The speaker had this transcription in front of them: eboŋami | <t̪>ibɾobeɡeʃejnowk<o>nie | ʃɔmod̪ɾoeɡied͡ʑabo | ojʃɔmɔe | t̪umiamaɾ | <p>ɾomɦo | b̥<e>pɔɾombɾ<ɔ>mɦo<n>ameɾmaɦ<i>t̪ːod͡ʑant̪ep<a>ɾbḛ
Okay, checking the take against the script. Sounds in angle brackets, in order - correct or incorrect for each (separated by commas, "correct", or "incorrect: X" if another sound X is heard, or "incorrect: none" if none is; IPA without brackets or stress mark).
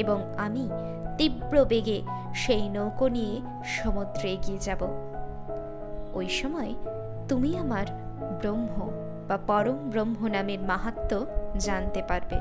correct, correct, incorrect: b, incorrect: a, incorrect: o, correct, incorrect: a, correct